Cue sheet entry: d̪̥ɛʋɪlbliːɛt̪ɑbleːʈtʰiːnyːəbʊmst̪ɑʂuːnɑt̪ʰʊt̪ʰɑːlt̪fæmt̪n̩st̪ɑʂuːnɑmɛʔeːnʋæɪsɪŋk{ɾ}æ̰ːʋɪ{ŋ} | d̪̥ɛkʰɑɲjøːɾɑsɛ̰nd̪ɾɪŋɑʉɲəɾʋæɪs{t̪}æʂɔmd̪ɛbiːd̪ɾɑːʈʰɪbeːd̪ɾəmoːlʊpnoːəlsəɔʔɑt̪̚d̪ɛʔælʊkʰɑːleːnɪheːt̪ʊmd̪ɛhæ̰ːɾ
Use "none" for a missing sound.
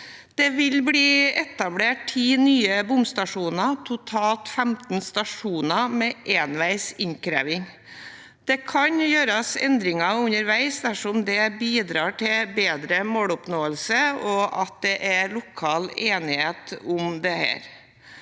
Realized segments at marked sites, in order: ɾ, ŋ, d̪

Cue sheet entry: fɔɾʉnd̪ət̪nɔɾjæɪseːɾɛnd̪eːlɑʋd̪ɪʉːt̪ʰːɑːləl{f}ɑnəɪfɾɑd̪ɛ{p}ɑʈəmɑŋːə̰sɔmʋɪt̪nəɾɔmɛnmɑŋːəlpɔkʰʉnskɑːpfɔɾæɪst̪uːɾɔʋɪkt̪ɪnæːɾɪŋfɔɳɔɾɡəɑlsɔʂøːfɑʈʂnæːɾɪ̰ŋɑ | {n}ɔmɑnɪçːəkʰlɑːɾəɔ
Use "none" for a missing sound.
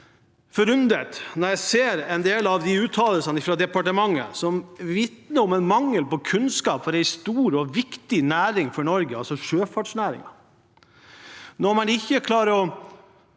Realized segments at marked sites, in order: s, p, n

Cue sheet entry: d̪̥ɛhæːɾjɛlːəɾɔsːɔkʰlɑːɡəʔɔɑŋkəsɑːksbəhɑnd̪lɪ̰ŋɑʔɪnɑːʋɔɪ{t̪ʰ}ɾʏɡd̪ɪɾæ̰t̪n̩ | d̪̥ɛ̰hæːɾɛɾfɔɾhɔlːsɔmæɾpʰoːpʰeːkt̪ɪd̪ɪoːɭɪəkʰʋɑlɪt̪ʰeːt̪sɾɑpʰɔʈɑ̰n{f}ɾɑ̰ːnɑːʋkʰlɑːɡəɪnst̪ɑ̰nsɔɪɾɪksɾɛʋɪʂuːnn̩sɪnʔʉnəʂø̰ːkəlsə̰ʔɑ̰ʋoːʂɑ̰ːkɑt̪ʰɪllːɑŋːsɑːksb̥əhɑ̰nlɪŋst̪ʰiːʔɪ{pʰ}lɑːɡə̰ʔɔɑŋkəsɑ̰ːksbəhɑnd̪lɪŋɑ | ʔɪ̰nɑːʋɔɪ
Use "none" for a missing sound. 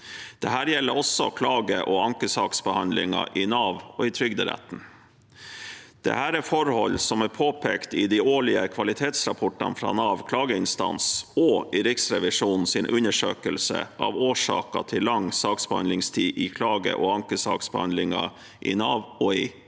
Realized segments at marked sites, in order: t̪ʰ, f, kʰ

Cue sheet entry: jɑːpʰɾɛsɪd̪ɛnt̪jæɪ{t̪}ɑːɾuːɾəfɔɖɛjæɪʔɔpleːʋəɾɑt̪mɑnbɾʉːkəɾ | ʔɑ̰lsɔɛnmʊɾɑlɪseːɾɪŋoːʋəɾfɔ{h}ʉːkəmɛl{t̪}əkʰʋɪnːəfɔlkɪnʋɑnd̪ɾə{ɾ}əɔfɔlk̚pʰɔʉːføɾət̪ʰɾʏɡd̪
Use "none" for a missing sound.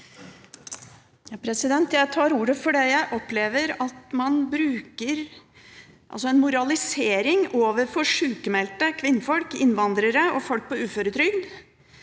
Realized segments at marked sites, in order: t̪ʰ, ʂ, t̪, ɾ

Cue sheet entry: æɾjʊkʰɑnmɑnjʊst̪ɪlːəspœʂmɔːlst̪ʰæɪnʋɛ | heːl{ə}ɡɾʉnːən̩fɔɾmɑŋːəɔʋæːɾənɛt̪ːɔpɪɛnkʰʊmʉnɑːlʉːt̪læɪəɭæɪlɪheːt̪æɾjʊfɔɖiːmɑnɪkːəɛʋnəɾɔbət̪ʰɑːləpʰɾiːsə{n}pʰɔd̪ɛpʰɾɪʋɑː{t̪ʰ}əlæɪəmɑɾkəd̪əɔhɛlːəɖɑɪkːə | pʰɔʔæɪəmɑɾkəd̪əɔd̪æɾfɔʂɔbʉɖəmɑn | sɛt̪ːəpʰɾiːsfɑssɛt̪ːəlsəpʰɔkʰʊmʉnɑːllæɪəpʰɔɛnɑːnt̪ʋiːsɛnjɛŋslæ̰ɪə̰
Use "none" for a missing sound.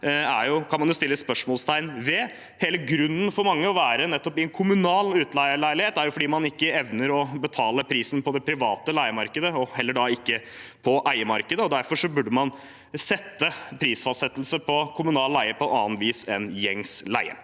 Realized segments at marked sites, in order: ə, n, t̪

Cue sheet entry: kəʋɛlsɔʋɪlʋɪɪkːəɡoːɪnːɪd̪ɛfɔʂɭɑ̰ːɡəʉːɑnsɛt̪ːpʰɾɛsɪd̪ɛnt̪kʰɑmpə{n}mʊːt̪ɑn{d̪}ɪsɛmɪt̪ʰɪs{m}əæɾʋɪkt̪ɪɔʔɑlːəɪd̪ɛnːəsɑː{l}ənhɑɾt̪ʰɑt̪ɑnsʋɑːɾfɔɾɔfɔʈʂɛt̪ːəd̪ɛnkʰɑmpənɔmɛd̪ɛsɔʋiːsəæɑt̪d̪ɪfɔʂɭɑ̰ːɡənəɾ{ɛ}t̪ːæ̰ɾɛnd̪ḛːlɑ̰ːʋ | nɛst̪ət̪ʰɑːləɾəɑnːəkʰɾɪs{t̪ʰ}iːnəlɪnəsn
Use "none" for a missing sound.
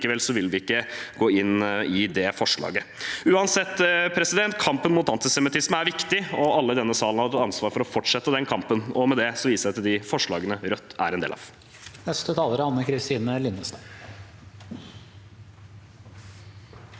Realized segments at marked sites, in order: n, t̪, m, l, œ, t̪

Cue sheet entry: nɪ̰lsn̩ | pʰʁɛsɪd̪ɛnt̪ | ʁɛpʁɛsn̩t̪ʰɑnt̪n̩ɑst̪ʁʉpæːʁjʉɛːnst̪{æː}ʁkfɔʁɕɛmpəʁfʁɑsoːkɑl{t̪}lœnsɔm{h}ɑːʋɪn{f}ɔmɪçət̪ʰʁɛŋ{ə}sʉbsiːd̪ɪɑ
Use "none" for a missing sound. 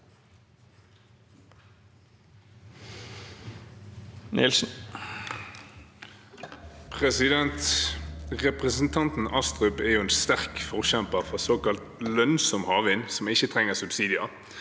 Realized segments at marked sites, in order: æ, t̪, h, s, ə

